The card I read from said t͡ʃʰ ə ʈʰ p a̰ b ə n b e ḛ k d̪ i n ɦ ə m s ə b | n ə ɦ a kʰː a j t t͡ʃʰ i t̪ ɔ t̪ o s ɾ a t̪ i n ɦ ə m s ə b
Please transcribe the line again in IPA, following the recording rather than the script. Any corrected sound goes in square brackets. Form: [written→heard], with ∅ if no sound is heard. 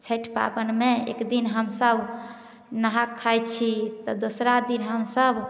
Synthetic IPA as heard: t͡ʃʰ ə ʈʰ p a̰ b ə n [b→m] e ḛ k d̪ i n ɦ ə m s ə b | n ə ɦ a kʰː a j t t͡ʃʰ i t̪ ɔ [t̪→d̪] o s ɾ a [t̪→d̪] i n ɦ ə m s ə b